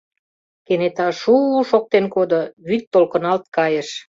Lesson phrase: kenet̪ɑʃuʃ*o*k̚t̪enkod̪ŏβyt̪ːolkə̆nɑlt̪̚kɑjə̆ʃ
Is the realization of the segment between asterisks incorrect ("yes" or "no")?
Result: no